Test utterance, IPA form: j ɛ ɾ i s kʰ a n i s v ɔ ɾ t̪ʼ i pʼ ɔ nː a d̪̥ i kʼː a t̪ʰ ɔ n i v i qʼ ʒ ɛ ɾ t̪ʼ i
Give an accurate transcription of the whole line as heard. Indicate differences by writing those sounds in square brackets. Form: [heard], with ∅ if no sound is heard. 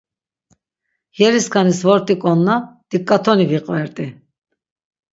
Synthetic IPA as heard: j ɛ ɾ i s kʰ a n i s v ɔ ɾ t̪ʼ i [kʼ] ɔ nː a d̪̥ i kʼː a t̪ʰ ɔ n i v i qʼ [v] ɛ ɾ t̪ʼ i

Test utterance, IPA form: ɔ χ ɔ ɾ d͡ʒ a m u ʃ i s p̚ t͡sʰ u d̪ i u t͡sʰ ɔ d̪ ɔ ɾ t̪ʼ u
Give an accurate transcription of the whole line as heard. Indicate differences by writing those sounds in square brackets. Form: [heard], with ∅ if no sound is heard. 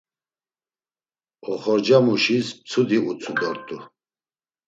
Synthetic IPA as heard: ɔ χ ɔ ɾ d͡ʒ a m u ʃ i s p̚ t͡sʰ u d̪ i u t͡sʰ [u] d̪ ɔ ɾ t̪ʼ u

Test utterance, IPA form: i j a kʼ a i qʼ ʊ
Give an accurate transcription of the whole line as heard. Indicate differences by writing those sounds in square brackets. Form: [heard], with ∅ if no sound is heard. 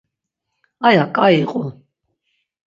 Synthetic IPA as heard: [a] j a kʼ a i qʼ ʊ

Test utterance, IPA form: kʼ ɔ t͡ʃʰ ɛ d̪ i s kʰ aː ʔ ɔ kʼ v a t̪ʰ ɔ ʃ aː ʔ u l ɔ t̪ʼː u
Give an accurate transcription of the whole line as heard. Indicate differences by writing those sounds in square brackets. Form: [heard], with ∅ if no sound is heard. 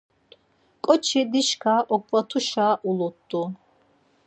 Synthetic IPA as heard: kʼ ɔ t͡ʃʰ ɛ d̪ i [ʃ] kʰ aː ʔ ɔ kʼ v a t̪ʰ [u] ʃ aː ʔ u l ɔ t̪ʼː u

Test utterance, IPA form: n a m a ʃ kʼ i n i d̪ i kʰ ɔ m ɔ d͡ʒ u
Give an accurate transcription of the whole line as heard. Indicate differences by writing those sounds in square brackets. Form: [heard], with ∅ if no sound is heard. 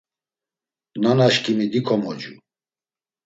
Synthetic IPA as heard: n a [n] a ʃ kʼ i [m] i d̪ i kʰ ɔ m ɔ d͡ʒ u

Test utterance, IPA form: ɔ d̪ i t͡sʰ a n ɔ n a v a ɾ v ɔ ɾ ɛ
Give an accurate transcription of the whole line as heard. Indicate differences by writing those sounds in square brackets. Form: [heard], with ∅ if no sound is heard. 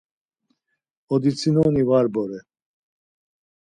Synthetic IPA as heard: ɔ d̪ i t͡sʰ [i] n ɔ n [i] v a ɾ [b] ɔ ɾ ɛ

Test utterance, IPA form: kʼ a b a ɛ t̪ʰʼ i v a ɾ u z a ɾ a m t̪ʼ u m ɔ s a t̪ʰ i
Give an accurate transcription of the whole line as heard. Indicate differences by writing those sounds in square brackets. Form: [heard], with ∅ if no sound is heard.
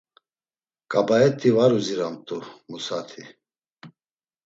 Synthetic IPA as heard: kʼ a b a ɛ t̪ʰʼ i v a ɾ u z [i] ɾ a m t̪ʼ u m [u] s a t̪ʰ i

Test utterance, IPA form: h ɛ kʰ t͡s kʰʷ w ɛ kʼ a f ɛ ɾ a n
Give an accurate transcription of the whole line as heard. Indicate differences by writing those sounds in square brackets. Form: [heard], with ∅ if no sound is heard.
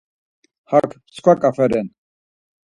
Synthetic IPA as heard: h [a] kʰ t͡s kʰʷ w [a] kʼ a f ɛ ɾ [ɛ] n

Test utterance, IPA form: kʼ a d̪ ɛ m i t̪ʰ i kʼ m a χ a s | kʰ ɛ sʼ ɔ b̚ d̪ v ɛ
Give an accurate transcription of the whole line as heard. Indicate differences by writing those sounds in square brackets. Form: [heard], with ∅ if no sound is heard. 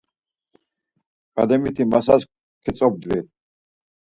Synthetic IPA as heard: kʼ a d̪ ɛ m i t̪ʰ i [∅] m a [s] a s | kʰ ɛ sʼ ɔ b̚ d̪ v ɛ

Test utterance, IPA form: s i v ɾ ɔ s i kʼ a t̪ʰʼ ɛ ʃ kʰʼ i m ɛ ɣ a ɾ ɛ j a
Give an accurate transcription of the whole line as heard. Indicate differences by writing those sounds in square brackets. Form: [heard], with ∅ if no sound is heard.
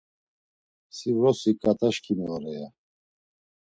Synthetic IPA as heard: s i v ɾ ɔ s i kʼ a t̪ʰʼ [a] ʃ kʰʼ i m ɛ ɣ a ɾ ɛ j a

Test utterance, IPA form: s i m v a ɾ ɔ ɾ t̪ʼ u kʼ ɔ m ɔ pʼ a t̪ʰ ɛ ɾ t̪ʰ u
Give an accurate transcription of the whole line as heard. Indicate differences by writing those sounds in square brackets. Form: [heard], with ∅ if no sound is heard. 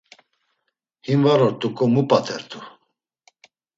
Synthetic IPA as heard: [h] i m v a ɾ ɔ ɾ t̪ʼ u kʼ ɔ m [u] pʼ a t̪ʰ ɛ ɾ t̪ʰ u

